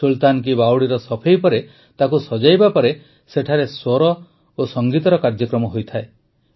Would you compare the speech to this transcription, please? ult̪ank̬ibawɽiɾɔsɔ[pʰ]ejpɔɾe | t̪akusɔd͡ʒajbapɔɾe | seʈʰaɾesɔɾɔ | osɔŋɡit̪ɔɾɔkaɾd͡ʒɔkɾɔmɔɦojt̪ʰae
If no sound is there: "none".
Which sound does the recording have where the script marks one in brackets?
pʰ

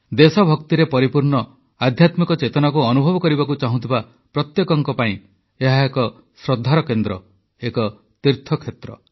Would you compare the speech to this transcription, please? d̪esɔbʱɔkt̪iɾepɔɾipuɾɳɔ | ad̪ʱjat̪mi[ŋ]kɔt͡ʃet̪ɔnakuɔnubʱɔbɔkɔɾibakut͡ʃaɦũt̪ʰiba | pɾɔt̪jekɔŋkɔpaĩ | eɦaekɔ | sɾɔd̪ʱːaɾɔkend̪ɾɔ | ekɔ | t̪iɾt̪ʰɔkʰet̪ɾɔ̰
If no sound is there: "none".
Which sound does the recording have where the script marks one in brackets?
none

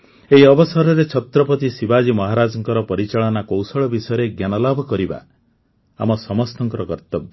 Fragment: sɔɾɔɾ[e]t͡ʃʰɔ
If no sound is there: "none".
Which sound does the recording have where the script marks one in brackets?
e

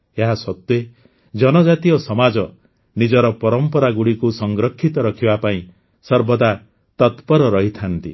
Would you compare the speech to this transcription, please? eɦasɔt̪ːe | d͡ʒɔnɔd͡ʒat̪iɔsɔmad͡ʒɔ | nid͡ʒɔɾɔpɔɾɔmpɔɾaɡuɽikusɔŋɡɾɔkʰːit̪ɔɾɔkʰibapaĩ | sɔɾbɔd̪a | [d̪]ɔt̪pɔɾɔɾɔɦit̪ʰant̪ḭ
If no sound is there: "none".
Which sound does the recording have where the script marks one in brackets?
t̪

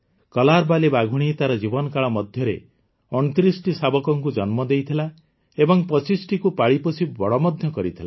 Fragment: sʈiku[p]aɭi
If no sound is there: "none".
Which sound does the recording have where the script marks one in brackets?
p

